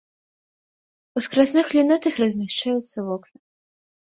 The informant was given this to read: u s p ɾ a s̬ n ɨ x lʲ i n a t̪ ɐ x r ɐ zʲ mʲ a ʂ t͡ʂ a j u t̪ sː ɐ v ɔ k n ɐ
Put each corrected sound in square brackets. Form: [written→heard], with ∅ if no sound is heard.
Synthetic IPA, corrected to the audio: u s [p→k] ɾ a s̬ n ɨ x lʲ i n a t̪ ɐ x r ɐ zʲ mʲ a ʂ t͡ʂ a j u t̪ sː ɐ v ɔ k n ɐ